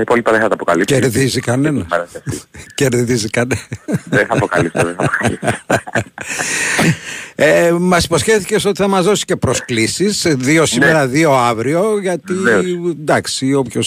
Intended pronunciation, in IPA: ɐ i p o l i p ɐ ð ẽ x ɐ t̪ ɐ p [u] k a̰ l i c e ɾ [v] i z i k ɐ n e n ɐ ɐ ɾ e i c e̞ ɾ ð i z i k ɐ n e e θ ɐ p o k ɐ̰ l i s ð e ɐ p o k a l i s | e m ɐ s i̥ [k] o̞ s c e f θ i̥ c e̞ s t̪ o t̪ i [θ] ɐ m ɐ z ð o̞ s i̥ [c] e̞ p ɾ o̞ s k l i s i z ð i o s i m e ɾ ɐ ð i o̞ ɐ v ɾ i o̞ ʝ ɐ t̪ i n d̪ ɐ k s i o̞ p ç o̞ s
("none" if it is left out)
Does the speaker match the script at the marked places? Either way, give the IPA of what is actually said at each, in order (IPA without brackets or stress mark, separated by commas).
o, ð, p, θ, c